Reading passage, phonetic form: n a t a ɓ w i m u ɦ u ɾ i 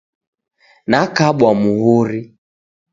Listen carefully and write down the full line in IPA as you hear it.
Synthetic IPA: n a k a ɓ w a m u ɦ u ɾ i